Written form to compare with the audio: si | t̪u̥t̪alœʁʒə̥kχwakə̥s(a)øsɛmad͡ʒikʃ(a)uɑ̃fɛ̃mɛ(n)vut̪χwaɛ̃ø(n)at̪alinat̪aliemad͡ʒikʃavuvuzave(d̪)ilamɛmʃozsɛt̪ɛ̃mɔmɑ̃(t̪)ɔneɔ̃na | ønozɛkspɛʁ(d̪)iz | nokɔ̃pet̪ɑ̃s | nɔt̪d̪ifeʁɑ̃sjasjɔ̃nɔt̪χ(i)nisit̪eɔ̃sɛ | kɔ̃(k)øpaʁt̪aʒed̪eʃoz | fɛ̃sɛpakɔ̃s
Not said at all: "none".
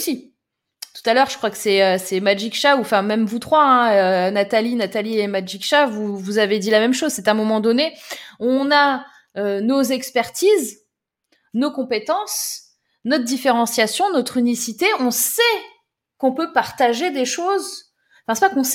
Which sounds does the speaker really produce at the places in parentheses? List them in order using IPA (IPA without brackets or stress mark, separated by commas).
ɛ, a, m, n, d̪, d̪, t̪, y, p